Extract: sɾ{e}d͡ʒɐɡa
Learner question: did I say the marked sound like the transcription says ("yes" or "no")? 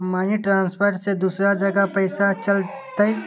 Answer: no